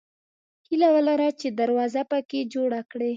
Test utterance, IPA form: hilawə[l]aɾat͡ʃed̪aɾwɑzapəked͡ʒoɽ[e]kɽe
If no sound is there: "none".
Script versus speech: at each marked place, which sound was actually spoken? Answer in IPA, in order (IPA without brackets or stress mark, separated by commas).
l, a